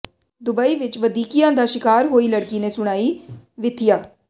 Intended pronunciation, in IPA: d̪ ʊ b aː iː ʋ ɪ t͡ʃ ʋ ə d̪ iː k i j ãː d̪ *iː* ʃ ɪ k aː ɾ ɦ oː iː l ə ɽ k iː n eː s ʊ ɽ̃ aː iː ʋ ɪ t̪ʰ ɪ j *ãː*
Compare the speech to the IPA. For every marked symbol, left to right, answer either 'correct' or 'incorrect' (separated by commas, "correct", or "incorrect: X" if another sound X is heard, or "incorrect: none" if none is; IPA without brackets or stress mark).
incorrect: aː, incorrect: aː